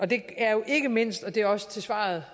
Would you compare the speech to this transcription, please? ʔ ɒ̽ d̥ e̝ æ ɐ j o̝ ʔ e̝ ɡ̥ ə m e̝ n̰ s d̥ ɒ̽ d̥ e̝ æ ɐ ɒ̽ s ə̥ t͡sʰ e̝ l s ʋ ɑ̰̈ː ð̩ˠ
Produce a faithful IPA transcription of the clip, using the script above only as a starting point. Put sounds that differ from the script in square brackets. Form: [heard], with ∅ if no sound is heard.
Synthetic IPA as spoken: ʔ ɒ̽ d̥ e̝ æ ɐ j o̝ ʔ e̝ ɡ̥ ə m e̝ n̰ s d̥ ɒ̽ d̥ e̝ æ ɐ ɒ̽ s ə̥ t͡sʰ e̝ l s ʋ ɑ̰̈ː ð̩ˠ